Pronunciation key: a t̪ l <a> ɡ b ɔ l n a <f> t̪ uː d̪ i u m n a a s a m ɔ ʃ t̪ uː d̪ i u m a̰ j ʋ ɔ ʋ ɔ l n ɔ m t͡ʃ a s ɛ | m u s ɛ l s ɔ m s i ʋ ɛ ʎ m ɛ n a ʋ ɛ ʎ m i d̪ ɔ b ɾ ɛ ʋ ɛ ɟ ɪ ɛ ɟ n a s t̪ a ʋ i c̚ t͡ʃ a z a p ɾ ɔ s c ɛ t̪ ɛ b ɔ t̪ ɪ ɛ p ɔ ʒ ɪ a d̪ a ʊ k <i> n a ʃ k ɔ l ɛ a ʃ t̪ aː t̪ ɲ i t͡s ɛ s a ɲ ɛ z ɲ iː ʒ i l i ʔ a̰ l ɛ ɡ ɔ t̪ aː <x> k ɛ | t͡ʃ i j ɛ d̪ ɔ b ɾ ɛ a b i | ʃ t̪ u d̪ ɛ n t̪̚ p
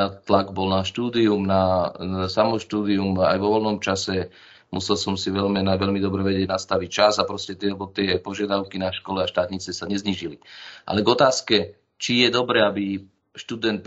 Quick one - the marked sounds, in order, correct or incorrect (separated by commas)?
correct, incorrect, correct, incorrect